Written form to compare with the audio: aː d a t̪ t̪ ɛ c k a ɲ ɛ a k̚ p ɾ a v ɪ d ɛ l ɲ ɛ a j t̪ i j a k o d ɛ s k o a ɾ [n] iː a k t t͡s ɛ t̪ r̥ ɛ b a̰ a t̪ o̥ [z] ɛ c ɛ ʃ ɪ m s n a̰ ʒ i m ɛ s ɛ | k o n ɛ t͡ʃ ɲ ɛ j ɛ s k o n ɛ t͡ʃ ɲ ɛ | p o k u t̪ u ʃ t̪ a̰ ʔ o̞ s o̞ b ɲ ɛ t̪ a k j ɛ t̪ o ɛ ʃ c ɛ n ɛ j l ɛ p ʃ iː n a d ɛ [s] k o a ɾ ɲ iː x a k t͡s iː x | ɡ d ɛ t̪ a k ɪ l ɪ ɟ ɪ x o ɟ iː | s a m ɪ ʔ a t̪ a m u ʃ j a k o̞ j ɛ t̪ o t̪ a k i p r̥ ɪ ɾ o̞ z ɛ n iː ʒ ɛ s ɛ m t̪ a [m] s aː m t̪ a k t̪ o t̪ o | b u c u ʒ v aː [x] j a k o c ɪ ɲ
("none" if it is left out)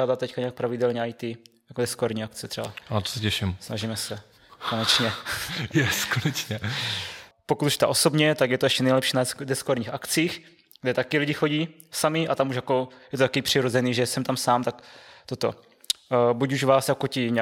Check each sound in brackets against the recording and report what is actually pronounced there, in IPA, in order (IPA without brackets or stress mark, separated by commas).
ɲ, s, s, m, s